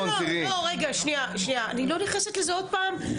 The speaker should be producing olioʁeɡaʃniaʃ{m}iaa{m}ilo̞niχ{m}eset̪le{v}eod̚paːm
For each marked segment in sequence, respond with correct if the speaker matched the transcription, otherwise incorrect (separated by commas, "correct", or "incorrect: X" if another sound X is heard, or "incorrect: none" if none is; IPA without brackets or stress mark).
incorrect: n, incorrect: n, incorrect: n, incorrect: z